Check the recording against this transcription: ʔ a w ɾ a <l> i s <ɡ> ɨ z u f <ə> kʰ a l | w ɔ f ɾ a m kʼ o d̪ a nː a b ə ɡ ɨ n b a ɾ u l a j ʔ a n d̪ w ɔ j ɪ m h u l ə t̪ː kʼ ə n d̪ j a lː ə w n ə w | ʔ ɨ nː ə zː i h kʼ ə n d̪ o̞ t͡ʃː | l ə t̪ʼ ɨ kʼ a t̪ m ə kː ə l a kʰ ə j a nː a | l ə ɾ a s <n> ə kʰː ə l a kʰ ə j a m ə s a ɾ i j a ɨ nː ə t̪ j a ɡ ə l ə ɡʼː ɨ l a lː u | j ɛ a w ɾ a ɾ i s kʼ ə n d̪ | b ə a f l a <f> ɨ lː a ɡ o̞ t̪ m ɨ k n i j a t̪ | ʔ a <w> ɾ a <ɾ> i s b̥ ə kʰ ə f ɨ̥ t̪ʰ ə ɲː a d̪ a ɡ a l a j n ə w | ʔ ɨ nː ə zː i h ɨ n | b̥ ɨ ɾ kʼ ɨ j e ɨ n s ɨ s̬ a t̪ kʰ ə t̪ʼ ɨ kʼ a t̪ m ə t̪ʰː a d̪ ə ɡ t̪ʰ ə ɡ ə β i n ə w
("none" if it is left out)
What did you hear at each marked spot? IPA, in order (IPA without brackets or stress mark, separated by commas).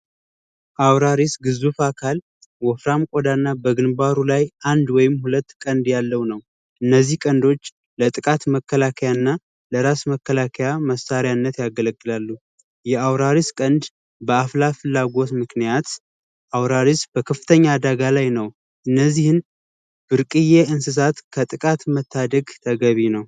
ɾ, ɡ, a, m, f, w, ɾ